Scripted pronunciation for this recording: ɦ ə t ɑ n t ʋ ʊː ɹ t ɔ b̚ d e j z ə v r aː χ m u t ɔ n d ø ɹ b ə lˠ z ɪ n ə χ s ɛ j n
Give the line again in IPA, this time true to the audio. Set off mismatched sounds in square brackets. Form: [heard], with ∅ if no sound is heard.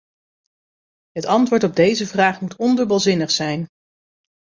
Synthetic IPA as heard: ɦ ə t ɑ n t ʋ ʊː ɹ t ɔ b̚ d e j z ə v r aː χ m u t ɔ n d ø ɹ b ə lˠ z ɪ n ə χ s ɛ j n